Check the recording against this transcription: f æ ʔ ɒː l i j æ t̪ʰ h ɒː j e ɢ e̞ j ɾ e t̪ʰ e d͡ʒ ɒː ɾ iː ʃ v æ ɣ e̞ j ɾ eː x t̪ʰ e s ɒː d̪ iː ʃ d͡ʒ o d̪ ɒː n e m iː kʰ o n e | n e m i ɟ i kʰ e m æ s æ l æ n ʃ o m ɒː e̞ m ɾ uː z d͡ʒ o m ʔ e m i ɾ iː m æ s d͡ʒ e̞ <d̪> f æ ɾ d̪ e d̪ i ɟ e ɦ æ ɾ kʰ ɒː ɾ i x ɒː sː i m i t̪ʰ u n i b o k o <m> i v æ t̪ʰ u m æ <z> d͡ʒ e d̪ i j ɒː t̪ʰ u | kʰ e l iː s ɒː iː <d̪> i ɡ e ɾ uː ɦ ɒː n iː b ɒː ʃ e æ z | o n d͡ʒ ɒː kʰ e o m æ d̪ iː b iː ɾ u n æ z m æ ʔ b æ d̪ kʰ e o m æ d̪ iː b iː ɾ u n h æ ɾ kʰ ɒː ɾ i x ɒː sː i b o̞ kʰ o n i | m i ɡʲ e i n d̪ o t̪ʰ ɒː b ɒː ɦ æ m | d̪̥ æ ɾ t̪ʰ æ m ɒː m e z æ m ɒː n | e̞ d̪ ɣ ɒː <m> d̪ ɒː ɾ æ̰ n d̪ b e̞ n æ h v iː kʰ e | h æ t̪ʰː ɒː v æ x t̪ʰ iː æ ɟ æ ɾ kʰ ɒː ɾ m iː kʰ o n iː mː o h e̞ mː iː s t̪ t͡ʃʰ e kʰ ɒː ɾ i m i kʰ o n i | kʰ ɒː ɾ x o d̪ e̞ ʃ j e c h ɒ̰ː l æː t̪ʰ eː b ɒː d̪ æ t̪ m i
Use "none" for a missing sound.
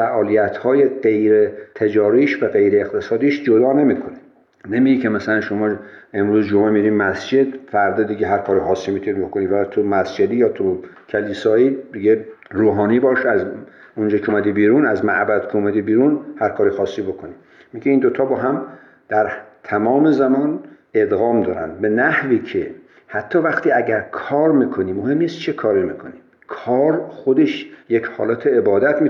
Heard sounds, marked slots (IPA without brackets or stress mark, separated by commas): d̪, n, s, d̪, m